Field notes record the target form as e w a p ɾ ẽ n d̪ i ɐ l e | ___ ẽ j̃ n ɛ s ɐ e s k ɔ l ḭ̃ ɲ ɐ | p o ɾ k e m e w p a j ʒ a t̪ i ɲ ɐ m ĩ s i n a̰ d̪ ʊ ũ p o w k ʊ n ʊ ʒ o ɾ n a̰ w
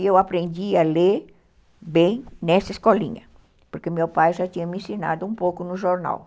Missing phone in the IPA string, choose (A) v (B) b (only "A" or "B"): B